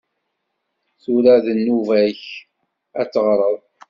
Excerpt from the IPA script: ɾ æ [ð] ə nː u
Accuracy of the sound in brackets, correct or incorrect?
correct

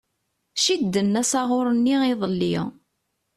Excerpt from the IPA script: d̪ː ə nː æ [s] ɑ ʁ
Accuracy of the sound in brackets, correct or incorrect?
correct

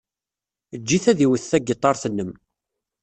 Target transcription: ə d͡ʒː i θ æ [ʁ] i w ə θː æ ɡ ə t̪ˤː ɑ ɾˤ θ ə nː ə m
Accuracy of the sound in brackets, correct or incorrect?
incorrect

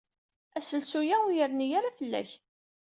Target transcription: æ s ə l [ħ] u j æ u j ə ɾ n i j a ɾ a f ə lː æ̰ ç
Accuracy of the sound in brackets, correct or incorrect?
incorrect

